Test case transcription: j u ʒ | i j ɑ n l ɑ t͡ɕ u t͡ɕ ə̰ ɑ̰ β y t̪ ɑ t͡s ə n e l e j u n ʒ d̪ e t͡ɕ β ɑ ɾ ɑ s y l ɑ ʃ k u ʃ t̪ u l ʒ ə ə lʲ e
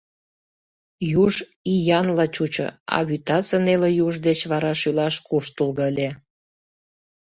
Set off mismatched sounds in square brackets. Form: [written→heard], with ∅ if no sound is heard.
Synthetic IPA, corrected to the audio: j u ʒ | i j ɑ n l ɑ t͡ɕ u t͡ɕ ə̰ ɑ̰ β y t̪ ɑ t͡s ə n e l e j u [n→∅] ʒ d̪ e t͡ɕ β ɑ ɾ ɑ [s→ʃ] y l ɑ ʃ k u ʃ t̪ u l [ʒ→ɣ] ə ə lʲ e